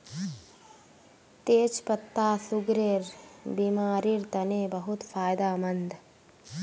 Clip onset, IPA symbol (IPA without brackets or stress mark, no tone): t̪